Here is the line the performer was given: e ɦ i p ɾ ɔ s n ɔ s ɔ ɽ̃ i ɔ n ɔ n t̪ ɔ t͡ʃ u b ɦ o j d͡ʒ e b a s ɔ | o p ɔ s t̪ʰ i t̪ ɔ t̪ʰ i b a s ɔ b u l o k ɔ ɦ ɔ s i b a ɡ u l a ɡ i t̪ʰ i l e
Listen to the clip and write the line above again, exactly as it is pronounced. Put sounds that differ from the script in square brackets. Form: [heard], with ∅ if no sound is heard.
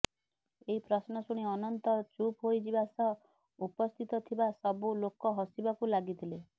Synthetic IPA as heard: e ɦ i p ɾ ɔ s n ɔ s [u] ɽ̃ i ɔ n ɔ n t̪ ɔ t͡ʃ u [p] ɦ o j d͡ʒ [i] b a s ɔ | [u] p ɔ s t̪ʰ i t̪ ɔ t̪ʰ i b a s ɔ b u l o k ɔ ɦ ɔ s i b a [k] u l a ɡ i t̪ʰ i l e